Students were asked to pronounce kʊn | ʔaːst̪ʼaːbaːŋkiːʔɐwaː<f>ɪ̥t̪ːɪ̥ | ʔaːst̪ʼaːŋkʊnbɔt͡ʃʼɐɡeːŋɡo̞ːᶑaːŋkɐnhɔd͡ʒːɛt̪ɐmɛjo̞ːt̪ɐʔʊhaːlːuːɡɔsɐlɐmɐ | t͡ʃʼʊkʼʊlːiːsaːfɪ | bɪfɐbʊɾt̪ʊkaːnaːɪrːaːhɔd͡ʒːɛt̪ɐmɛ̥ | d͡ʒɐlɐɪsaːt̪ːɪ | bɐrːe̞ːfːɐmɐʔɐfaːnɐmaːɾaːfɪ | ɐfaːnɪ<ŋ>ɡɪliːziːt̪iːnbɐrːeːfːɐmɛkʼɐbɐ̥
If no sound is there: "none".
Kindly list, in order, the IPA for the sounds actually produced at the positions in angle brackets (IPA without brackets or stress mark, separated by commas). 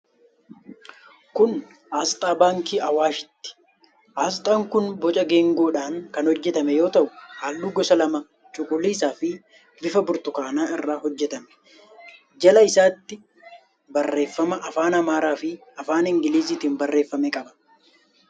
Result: ʃ, ŋ